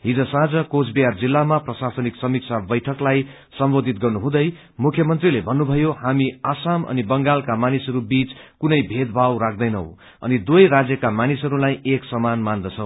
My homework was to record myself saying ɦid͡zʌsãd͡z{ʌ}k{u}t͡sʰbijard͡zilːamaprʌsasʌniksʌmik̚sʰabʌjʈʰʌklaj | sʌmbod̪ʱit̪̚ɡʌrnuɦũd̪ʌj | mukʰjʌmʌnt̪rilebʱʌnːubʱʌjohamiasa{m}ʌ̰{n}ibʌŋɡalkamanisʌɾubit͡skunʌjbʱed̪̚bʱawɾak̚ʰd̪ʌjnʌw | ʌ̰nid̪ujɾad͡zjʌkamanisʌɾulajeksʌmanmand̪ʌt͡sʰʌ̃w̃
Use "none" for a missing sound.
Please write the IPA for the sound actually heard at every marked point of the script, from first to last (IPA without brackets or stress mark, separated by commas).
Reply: ʌ, o, m, n